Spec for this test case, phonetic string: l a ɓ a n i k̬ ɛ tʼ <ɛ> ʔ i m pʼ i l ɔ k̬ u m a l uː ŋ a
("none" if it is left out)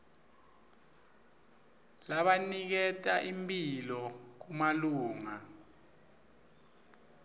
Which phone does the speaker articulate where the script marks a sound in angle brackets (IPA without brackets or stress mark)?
a